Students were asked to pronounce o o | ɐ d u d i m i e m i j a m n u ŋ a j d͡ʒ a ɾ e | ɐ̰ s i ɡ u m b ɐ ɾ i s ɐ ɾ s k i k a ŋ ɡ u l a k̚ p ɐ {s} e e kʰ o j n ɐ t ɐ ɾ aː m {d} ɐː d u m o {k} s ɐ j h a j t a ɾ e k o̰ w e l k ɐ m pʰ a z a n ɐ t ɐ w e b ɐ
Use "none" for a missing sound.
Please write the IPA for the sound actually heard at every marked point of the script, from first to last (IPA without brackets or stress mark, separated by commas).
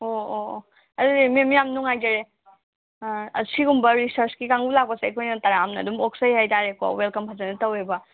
s, n, k